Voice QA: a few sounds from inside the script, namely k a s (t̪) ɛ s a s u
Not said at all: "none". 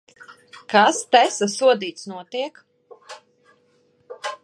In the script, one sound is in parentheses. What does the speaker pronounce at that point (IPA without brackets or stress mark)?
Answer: t̪